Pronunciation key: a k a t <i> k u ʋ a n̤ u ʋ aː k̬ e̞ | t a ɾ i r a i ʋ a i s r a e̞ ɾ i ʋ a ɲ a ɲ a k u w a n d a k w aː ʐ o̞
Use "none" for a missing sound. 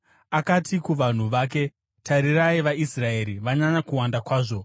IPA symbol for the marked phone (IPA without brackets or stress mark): i